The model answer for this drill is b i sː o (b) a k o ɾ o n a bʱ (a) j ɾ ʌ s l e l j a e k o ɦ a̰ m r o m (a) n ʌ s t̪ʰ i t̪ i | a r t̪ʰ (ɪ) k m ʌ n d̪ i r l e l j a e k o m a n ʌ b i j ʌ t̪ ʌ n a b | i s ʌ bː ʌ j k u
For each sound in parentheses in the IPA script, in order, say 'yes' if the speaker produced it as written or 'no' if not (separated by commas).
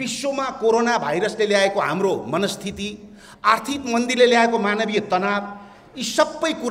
no, yes, no, no